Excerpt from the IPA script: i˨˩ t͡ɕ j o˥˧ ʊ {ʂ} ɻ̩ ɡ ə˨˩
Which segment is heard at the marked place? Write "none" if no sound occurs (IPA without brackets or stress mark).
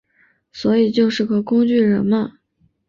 ʂ